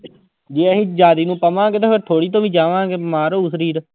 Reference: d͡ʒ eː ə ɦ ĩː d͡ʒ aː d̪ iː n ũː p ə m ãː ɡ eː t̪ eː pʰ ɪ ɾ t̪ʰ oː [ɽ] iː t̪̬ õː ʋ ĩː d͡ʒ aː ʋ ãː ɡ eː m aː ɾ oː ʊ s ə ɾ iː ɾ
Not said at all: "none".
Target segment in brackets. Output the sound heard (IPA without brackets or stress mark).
ɽ